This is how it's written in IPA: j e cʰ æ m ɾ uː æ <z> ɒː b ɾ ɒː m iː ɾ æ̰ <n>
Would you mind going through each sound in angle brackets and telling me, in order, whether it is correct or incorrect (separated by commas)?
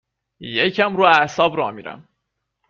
incorrect, incorrect